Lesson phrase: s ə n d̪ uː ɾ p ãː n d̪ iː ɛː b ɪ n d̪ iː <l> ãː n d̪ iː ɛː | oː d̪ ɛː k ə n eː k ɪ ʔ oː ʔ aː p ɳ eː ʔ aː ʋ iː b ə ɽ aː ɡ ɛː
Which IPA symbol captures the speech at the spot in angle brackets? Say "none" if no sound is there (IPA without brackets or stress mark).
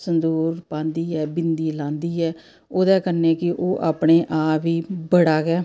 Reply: l